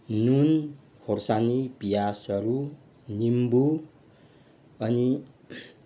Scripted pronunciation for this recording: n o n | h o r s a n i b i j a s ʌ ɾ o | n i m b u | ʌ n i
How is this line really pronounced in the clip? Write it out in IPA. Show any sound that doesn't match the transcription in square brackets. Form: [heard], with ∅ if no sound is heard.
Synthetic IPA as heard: n [u] n | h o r s a n i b i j a s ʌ ɾ [u] | n i m b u | ʌ n i